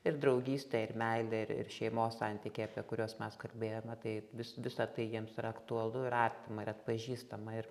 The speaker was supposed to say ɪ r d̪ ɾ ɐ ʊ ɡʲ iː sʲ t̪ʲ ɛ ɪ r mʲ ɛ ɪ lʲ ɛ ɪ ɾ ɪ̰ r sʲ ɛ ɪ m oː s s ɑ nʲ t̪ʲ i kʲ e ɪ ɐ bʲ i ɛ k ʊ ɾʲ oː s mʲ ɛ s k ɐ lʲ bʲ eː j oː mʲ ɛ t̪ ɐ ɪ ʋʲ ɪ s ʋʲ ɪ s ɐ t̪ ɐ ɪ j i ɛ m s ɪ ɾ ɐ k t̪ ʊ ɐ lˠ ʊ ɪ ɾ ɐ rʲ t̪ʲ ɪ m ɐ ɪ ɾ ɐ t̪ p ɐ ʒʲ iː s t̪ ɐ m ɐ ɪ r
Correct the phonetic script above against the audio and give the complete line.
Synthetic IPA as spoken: ɪ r d̪ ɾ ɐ ʊ ɡʲ iː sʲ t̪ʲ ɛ ɪ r mʲ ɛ ɪ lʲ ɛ ɪ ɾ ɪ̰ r ʃʲ ɛ ɪ m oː s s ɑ nʲ t̪ʲ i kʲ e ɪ ɐ pʲ i ɛ k ʊ ɾʲ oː s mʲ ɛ s k ɐ lʲ bʲ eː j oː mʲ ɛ t̪ ɐ ɪ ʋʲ ɪ s ʋʲ ɪ s ɐ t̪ ɐ ɪ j i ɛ m s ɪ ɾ ɐ k t̪ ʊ ɐ lˠ ʊ ɪ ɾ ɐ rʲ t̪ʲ ɪ m ɐ ɪ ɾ ɐ t̪ p ɐ ʒʲ iː s t̪ ɐ m ɐ ɪ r